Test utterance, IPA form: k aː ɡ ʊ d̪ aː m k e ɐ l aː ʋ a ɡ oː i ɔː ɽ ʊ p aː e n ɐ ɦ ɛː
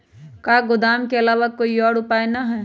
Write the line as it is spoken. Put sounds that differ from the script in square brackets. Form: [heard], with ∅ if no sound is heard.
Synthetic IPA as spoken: k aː ɡ ʊ d̪ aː m k e ɐ l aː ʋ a [k] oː i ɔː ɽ ʊ p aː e n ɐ ɦ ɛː